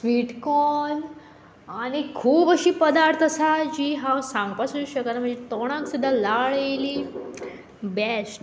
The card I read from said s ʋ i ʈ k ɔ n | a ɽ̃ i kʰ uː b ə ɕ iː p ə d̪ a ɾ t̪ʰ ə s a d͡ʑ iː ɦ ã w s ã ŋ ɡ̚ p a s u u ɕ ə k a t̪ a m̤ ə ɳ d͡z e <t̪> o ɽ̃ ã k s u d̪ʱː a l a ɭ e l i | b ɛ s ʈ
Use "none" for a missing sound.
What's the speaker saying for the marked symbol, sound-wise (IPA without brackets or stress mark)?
t̪